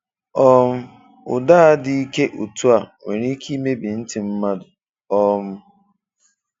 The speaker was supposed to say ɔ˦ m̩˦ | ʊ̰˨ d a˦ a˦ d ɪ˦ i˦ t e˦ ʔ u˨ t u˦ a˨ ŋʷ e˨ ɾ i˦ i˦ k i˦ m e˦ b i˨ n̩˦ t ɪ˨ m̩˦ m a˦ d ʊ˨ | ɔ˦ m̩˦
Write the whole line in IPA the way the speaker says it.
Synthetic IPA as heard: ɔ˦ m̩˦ | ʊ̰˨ d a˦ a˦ d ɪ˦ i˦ k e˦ ʔ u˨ t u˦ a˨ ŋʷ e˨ ɾ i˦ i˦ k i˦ m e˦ b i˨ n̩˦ t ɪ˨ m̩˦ m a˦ d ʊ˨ | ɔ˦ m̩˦